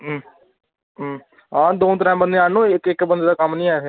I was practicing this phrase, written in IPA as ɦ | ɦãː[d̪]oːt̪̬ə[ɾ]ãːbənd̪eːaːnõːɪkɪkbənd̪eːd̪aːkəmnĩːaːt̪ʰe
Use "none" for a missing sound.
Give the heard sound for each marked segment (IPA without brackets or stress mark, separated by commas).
d̪, ɾ